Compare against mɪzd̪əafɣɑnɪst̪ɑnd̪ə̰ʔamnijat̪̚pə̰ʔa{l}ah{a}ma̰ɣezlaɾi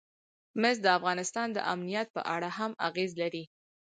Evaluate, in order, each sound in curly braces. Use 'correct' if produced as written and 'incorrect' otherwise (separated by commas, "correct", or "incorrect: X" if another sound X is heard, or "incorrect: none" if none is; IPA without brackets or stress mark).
incorrect: ɽ, correct